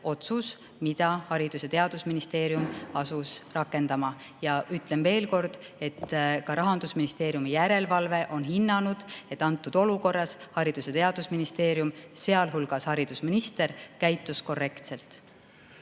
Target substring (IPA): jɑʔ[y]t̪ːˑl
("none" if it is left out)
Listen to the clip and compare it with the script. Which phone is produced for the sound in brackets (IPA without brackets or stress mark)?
y